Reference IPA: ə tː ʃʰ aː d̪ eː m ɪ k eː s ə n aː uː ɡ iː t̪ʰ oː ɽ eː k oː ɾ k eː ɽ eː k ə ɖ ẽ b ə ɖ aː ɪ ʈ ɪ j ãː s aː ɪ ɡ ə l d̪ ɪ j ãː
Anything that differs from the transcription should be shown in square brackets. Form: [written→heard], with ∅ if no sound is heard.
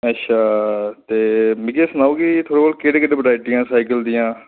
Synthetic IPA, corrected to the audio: ə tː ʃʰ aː [d̪→t̪] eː m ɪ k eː s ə n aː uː ɡ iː t̪ʰ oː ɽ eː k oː [ɾ→l] k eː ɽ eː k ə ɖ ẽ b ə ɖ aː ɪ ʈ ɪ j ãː s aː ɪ [ɡ→k] ə l d̪ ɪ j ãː